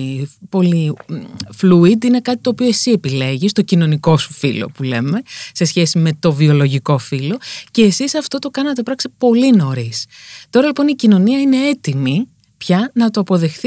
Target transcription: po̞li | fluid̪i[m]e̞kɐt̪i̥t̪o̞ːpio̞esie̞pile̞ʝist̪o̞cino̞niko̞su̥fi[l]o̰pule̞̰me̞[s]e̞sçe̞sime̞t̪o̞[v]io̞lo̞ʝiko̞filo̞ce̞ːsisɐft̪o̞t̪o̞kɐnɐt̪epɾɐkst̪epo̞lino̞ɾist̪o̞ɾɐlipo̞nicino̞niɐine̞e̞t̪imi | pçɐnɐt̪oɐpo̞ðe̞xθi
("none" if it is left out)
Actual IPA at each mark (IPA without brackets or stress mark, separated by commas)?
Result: n, l, s, v